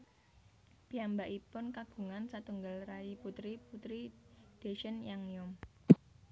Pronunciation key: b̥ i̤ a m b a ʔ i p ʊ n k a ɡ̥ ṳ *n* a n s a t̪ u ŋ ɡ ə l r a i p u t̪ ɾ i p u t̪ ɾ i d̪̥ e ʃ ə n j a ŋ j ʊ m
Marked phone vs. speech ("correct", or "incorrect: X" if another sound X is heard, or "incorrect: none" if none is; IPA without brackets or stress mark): incorrect: ŋ